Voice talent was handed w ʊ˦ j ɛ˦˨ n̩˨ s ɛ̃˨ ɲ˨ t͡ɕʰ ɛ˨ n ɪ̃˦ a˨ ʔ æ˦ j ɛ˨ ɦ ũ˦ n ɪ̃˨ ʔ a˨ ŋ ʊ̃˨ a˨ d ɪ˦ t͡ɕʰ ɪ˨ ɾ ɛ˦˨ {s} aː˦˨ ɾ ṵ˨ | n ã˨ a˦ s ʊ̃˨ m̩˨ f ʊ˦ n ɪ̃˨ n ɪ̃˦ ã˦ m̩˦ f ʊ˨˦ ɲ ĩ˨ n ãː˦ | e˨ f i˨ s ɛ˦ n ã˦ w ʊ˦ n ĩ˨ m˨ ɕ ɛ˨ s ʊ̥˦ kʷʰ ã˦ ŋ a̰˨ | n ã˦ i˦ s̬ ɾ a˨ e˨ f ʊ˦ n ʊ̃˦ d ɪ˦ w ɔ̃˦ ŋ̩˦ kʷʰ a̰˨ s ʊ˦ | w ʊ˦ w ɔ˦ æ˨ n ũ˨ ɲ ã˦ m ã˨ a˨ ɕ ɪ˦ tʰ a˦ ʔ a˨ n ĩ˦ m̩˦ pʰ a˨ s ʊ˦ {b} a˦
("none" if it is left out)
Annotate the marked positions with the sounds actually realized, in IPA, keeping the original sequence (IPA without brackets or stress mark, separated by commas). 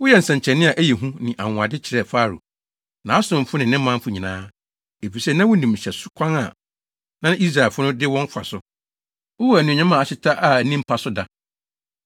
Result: f, d